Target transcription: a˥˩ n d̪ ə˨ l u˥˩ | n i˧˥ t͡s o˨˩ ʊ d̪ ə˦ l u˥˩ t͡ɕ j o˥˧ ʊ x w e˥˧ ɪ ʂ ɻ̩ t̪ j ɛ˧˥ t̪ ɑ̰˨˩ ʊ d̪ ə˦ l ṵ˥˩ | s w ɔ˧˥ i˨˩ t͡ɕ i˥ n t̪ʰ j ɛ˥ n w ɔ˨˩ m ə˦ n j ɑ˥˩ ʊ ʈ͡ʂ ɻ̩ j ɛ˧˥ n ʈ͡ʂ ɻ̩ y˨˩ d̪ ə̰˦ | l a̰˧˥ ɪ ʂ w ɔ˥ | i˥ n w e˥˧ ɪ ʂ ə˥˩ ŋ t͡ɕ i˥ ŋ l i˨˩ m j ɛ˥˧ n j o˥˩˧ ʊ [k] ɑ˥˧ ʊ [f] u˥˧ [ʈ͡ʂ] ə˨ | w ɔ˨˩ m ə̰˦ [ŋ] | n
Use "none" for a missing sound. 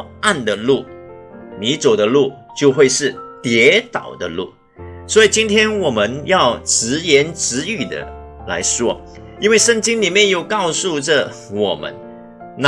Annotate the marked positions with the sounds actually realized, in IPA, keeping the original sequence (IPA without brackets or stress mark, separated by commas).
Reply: k, s, ʈ͡ʂ, n